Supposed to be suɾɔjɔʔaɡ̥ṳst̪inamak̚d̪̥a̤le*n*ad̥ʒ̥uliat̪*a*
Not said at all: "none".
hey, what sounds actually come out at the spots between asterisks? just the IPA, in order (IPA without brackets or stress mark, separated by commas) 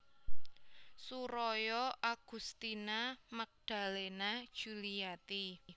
n, i